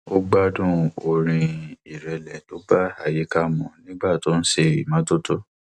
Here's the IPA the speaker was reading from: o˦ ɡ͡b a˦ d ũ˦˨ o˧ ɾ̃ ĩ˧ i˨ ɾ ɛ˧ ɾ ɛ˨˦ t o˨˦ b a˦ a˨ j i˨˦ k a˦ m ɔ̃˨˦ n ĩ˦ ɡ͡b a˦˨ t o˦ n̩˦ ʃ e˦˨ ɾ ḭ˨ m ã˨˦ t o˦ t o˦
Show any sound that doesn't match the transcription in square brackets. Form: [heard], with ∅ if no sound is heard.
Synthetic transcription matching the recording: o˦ ɡ͡b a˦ d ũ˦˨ o˧ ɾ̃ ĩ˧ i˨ ɾ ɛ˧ [l] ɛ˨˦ t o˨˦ b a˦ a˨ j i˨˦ k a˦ m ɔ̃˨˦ n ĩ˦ ɡ͡b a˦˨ t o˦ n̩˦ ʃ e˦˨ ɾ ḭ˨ m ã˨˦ t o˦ t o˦